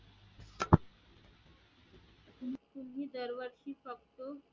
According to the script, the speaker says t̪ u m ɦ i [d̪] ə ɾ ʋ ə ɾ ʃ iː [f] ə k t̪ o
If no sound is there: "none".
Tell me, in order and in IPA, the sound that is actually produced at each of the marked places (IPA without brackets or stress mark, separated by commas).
d̪, f